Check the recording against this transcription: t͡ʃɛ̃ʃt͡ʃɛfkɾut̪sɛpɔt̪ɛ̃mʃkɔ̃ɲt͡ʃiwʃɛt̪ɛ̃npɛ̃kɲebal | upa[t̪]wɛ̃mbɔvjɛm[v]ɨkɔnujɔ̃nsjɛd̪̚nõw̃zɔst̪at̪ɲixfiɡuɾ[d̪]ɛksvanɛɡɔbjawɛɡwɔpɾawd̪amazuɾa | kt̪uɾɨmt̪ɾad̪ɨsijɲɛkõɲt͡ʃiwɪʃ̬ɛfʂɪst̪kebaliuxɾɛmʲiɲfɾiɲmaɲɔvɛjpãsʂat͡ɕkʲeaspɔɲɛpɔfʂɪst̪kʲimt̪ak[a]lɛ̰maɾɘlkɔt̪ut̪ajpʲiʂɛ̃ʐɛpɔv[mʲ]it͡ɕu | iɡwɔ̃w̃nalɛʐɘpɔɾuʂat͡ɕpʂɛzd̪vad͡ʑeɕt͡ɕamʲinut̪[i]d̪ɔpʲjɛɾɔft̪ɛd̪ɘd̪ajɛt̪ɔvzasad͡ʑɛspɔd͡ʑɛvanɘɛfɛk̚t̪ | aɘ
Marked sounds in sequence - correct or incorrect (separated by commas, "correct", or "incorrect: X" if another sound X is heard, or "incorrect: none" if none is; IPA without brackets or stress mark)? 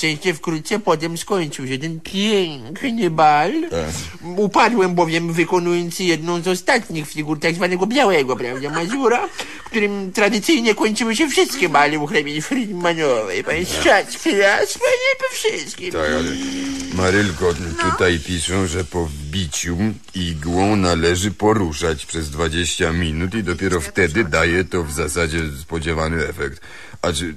incorrect: d̪, correct, incorrect: t̪, correct, incorrect: bʲ, correct